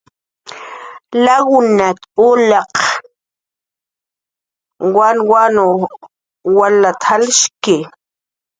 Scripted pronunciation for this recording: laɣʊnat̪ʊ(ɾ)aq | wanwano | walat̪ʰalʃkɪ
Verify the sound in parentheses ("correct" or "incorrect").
incorrect